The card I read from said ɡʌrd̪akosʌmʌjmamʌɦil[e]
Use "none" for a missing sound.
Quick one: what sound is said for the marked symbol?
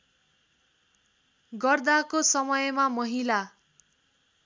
a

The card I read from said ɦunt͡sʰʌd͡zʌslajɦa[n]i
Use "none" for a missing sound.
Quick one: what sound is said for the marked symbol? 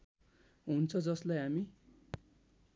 m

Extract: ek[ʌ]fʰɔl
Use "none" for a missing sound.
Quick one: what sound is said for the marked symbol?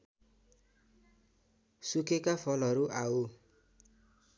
a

